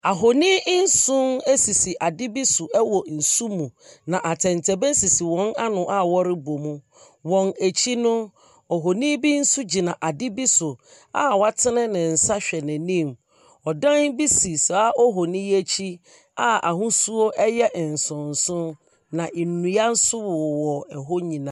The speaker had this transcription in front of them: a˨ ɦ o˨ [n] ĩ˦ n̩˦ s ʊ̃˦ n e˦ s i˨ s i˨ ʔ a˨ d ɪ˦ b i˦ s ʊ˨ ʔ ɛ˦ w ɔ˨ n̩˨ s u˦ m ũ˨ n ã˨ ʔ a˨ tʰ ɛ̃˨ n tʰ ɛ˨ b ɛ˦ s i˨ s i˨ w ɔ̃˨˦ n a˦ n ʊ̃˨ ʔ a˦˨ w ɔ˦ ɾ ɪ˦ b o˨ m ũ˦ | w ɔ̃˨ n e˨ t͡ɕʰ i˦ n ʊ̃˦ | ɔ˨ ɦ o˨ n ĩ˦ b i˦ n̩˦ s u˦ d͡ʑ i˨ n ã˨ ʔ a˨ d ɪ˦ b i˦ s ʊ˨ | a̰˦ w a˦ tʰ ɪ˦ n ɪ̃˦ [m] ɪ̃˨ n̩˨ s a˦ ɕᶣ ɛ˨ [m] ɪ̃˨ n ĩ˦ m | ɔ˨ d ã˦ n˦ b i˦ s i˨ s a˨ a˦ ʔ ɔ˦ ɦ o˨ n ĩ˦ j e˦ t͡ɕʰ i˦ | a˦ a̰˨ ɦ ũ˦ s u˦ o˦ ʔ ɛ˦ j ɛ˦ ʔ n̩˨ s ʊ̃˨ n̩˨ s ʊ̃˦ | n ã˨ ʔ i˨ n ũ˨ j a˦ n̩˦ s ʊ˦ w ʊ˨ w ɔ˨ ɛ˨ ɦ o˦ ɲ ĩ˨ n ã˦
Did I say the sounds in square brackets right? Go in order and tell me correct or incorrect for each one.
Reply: correct, incorrect: n, incorrect: n

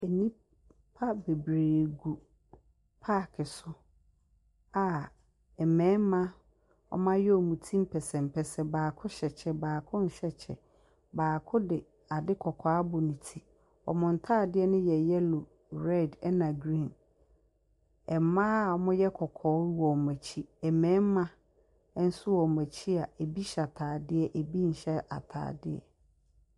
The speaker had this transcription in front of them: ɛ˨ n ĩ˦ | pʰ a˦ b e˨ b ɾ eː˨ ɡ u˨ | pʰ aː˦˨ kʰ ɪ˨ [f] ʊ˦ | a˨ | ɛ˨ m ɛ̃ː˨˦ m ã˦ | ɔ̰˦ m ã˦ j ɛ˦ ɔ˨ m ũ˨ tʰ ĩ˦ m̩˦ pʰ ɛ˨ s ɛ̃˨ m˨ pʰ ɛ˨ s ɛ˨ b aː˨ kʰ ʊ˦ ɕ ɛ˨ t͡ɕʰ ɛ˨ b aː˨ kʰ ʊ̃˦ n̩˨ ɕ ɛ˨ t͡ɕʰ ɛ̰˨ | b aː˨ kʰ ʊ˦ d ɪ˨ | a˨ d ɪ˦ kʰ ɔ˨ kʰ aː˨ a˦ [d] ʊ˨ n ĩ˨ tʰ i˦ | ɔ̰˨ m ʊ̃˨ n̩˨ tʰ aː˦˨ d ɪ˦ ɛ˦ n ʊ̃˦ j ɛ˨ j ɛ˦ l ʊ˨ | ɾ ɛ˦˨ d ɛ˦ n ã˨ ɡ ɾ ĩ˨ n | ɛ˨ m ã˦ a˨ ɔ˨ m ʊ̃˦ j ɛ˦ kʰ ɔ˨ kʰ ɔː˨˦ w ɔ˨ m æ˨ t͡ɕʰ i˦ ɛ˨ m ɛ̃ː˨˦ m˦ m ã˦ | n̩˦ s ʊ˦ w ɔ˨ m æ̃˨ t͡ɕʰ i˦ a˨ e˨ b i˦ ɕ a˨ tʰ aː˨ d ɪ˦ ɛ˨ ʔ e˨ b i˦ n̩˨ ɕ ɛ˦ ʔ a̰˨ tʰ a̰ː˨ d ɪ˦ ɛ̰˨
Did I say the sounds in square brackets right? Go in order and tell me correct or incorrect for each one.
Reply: incorrect: s, incorrect: b

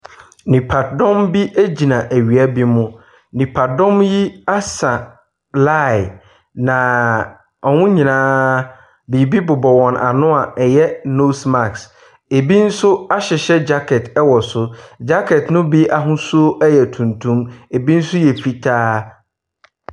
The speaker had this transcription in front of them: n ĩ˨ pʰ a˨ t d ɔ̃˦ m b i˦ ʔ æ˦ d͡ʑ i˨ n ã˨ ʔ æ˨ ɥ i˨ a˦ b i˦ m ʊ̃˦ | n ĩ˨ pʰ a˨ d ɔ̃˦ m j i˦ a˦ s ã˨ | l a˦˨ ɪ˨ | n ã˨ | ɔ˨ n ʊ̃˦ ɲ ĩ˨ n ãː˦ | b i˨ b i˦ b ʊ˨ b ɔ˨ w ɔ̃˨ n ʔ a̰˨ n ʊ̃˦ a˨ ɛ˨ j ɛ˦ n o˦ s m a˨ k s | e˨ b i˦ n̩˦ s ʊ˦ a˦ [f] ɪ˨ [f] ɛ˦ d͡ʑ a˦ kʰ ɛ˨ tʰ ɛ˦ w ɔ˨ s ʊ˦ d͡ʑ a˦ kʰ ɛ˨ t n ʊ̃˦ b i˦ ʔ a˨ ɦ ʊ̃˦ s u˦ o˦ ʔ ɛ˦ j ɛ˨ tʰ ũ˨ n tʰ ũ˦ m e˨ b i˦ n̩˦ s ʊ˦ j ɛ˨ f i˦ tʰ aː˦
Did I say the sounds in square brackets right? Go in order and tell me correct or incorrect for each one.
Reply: incorrect: ɕ, incorrect: ɕ

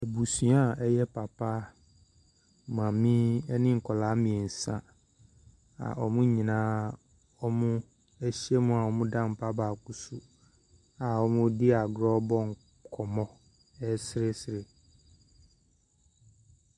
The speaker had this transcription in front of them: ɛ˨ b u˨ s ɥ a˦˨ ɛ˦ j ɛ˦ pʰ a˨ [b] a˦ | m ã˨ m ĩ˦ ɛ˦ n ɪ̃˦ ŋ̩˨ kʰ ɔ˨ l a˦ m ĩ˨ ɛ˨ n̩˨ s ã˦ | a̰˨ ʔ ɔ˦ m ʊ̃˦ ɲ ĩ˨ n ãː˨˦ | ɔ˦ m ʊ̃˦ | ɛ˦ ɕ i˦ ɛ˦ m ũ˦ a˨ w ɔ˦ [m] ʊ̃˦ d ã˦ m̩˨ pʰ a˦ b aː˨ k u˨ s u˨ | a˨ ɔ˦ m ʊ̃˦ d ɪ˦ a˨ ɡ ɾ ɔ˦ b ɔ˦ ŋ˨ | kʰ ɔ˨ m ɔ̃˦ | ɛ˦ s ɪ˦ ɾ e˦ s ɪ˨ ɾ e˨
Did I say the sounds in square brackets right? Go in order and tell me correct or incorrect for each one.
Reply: incorrect: p, correct

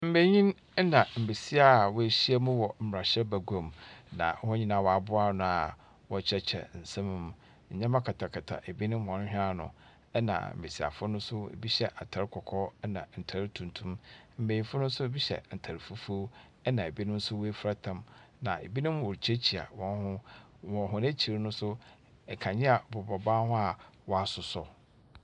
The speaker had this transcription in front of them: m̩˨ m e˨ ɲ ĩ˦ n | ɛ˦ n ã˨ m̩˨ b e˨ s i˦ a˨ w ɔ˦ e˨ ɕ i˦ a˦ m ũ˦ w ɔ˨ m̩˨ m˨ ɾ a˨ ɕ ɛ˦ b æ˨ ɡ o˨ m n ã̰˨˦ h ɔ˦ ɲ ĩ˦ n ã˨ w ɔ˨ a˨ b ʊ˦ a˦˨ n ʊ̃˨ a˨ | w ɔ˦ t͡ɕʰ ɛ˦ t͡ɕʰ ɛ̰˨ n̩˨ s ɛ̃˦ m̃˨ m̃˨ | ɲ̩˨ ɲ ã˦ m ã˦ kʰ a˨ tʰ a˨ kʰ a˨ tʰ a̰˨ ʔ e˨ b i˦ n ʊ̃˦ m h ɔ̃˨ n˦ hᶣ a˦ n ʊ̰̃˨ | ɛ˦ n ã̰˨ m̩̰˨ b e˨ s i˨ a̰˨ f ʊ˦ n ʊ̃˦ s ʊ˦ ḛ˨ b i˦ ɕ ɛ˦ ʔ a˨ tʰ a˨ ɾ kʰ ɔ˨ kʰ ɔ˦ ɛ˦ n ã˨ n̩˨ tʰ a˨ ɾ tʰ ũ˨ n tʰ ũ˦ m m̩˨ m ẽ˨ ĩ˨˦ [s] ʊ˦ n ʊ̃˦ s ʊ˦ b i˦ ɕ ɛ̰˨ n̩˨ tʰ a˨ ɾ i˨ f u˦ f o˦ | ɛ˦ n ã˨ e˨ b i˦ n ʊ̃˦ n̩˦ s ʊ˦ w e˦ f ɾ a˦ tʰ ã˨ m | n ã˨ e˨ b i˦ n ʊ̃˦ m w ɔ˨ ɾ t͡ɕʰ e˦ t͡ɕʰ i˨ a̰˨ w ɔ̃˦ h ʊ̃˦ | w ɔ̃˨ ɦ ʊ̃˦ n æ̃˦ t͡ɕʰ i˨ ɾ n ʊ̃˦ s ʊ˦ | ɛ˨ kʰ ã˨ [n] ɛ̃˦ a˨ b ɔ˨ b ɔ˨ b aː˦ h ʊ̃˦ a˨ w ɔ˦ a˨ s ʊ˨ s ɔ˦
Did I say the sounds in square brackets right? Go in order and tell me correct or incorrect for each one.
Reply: incorrect: f, incorrect: ɲ

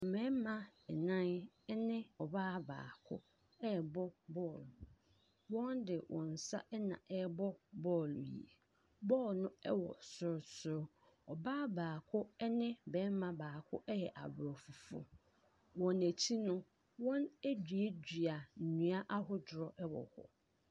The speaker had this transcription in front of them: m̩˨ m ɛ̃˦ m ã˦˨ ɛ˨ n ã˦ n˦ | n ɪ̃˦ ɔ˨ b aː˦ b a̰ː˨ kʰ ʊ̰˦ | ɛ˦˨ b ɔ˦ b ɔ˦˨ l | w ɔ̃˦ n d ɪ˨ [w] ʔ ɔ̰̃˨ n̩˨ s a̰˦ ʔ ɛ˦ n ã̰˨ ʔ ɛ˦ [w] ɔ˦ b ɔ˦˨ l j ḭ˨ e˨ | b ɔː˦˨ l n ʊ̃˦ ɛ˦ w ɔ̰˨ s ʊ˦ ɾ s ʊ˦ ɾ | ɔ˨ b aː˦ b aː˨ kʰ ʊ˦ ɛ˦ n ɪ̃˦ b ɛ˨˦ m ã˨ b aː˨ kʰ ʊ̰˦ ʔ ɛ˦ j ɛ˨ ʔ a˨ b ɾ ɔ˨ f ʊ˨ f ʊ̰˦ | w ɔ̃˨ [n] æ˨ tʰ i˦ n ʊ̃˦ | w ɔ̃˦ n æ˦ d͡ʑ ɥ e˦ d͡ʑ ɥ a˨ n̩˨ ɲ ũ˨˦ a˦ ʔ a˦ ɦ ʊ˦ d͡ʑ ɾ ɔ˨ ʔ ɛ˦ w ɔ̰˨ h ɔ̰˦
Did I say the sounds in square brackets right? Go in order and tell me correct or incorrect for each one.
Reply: correct, incorrect: b, correct

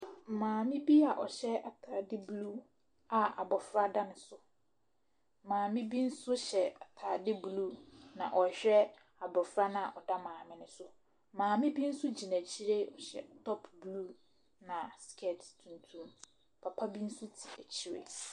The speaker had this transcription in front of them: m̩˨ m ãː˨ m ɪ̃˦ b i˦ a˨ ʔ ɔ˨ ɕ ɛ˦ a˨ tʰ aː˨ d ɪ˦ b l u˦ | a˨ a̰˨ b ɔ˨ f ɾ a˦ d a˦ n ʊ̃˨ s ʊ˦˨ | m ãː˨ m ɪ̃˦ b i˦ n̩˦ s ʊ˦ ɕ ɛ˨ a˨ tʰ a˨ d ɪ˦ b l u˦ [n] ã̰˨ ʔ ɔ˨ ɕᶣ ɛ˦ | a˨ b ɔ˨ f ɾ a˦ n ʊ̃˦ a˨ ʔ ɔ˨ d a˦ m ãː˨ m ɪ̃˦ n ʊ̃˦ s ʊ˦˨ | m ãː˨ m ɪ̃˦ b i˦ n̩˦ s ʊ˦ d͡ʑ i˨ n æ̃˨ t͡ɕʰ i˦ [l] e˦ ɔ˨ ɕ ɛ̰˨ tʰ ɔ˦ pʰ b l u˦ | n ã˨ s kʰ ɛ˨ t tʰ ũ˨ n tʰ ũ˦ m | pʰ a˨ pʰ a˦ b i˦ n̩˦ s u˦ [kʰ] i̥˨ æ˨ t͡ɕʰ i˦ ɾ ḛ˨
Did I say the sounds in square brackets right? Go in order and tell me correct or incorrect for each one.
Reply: correct, incorrect: ɾ, incorrect: tʰ

